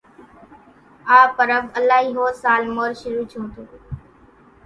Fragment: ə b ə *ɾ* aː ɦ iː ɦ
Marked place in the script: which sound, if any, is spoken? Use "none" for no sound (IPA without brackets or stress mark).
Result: l